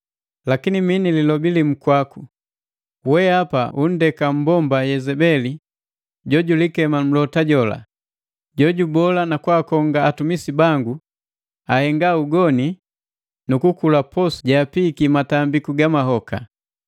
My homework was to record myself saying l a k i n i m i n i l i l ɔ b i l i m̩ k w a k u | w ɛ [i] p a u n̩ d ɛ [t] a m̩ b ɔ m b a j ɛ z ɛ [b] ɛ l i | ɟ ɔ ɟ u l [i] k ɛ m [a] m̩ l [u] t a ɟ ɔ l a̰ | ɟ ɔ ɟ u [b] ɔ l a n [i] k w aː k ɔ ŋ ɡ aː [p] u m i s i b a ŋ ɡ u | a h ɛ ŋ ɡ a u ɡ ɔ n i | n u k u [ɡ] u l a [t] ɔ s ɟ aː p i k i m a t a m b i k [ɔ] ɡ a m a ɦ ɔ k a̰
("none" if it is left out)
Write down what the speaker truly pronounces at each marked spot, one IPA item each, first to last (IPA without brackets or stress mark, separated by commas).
a, k, b, i, a, ɔ, b, a, t, k, p, u